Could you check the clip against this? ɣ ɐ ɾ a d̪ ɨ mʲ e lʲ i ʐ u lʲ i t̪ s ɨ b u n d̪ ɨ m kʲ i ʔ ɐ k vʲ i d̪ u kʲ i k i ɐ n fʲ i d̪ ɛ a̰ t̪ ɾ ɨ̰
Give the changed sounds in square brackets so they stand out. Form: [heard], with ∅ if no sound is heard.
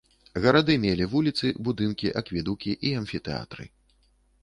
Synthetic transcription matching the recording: ɣ ɐ ɾ a d̪ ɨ mʲ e lʲ i [v] u lʲ i t̪ s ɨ b u [∅] d̪ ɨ [n] kʲ i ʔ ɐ k vʲ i d̪ u kʲ i [ʔ] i ɐ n fʲ i [t̪] ɛ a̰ t̪ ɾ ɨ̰